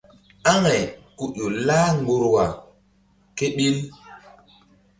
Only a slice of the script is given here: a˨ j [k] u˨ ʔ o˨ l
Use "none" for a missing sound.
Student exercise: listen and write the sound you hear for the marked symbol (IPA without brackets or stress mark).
k